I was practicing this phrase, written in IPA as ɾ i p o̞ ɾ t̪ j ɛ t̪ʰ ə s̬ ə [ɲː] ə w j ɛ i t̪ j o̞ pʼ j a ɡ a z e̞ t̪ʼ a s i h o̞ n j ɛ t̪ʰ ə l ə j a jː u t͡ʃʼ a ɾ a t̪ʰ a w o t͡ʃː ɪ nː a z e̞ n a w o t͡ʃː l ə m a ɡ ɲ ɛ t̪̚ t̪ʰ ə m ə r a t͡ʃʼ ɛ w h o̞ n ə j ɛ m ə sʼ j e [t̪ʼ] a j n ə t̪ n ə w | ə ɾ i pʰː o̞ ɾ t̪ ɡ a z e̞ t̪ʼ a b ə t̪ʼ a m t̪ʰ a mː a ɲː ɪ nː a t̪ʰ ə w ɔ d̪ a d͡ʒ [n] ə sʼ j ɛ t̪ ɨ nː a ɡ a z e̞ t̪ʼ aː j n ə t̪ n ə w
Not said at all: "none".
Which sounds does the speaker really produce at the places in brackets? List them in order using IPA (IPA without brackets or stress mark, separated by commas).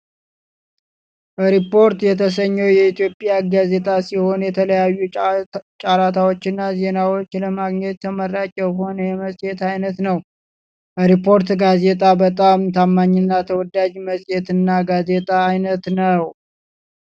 ɲː, t̪, m